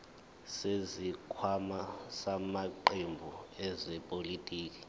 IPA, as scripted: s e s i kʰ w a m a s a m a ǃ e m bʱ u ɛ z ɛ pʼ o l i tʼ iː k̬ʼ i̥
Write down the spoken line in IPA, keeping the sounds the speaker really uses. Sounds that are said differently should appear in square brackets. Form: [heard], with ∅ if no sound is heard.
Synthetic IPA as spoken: s e [z] i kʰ w a m a s a m a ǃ e m bʱ u ɛ z ɛ pʼ o l i tʼ iː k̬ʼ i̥